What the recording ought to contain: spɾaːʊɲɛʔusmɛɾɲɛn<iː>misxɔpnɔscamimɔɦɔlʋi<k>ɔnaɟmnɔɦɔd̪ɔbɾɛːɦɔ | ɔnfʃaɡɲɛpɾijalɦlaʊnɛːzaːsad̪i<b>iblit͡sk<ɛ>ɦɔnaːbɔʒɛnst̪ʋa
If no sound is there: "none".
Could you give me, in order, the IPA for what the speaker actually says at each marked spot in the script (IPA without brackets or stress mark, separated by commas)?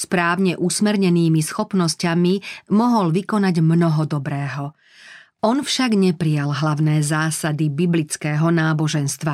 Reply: iː, k, b, ɛː